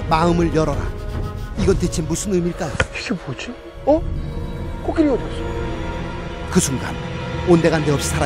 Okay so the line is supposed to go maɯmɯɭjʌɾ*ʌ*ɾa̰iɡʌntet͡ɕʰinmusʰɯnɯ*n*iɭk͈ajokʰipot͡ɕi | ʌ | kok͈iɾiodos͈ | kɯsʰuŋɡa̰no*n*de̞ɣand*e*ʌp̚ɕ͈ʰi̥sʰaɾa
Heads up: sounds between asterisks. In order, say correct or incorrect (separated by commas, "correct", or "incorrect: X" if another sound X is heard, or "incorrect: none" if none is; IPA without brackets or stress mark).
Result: correct, incorrect: m, correct, correct